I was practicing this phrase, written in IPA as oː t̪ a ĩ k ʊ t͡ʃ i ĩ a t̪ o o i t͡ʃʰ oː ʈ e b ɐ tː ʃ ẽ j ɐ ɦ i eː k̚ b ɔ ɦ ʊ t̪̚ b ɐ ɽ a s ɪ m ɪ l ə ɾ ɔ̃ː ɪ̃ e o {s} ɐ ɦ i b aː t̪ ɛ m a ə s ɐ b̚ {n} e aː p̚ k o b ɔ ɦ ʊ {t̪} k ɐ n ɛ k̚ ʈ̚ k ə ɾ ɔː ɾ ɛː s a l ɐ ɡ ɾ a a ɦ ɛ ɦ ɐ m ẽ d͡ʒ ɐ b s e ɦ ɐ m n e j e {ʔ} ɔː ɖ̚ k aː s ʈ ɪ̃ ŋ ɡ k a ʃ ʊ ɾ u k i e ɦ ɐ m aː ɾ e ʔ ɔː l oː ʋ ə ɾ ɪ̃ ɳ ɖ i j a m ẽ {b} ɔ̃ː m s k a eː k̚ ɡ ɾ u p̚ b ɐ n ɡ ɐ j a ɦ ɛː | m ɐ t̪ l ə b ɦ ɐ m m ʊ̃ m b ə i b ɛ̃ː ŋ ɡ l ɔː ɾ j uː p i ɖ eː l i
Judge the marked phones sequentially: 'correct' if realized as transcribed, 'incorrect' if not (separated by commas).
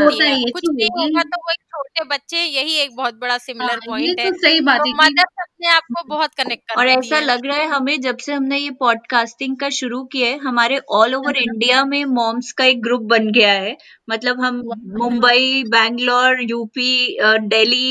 correct, correct, correct, incorrect, incorrect